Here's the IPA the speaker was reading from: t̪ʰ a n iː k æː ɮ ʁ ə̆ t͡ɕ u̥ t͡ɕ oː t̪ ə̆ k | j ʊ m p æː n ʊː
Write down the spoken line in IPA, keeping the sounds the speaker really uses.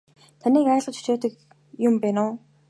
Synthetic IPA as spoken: t̪ʰ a n iː k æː ɮ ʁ ə̆ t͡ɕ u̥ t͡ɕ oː t̪ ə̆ k | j ʊ m p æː n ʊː